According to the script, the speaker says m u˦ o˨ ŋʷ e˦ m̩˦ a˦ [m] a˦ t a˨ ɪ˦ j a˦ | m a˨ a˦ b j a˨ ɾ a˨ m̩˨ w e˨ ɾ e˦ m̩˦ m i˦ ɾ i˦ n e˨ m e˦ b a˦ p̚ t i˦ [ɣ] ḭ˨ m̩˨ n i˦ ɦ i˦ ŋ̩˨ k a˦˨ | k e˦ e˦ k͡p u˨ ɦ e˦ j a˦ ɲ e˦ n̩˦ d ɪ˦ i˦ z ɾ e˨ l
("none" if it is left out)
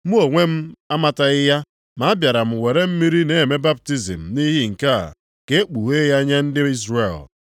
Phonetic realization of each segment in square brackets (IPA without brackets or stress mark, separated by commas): m, z